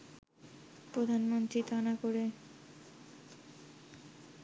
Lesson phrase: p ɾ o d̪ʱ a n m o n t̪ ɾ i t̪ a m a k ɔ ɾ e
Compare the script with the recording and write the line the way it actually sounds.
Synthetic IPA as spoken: p ɾ o d̪ʱ a n m o n t̪ ɾ i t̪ a n a k o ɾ e